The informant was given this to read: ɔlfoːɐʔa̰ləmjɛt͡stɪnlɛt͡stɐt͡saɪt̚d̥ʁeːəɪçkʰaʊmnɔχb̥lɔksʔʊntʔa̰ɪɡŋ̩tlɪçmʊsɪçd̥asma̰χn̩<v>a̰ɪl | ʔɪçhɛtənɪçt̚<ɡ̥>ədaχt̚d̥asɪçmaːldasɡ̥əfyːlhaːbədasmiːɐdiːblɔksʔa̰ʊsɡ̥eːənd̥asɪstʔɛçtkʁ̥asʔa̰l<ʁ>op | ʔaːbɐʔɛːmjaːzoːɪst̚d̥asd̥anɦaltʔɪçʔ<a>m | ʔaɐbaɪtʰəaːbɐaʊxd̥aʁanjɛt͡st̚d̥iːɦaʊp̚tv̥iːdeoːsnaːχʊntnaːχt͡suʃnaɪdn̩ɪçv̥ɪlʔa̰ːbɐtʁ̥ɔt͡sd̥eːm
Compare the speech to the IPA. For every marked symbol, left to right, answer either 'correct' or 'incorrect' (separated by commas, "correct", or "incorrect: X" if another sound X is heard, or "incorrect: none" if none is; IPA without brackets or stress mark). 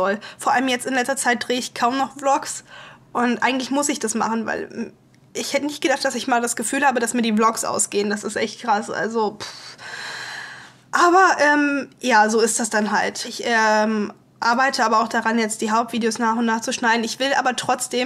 correct, correct, incorrect: z, incorrect: ɛ